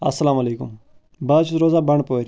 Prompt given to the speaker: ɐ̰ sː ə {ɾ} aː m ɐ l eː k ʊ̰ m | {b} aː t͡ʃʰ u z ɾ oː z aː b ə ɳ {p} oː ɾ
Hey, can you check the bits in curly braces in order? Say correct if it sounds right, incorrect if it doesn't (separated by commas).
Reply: incorrect, correct, correct